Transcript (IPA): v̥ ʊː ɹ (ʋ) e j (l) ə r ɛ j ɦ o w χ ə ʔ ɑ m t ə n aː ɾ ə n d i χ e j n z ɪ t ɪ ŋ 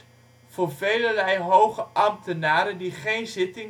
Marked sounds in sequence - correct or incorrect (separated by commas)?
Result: incorrect, correct